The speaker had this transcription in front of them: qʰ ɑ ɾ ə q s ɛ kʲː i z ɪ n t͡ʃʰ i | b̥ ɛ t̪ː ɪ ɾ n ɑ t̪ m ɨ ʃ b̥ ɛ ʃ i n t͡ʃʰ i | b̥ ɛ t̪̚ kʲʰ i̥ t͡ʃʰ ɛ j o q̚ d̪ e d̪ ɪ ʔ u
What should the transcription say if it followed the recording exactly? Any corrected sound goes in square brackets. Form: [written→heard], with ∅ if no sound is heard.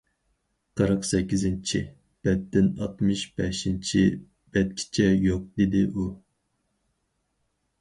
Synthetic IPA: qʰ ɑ ɾ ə q s ɛ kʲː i z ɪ n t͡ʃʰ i | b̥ ɛ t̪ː ɪ [ɾ→∅] n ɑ t̪ m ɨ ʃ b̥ ɛ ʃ i n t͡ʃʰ i | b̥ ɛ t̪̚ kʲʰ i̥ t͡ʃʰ ɛ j o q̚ d̪ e d̪ ɪ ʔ u